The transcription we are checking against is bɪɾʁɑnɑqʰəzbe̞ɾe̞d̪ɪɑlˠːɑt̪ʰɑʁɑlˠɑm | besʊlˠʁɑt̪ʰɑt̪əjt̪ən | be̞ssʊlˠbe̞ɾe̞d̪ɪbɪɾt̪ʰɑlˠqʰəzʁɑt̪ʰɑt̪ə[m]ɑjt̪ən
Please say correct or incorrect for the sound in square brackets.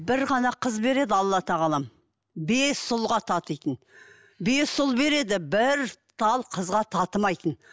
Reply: correct